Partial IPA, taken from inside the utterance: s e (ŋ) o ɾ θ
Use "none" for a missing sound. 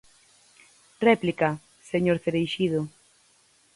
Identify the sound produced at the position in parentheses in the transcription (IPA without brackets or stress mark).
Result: ɲ